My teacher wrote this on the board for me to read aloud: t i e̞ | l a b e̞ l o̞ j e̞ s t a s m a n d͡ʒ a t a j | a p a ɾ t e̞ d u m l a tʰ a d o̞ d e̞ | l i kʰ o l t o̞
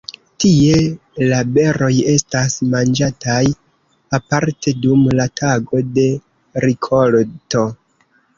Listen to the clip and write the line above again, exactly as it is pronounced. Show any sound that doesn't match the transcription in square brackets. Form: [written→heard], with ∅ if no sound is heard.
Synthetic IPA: t i e̞ | l a b e̞ [l→ɾ] o̞ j e̞ s t a s m a n d͡ʒ a t a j | a p a ɾ t e̞ d u m l a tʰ a [d→ɡ] o̞ d e̞ | [l→ɾ] i kʰ o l t o̞